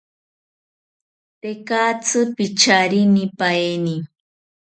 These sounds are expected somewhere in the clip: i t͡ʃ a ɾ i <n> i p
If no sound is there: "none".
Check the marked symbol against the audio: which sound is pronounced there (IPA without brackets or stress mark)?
n